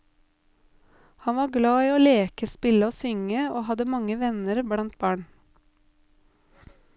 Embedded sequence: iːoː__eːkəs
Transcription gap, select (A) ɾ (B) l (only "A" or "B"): B